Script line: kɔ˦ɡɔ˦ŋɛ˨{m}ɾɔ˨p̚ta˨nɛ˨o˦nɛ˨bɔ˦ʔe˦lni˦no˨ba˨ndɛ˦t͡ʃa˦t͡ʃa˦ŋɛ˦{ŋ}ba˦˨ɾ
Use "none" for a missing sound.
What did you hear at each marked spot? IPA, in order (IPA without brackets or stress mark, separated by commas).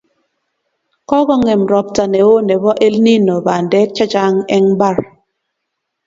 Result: m, ŋ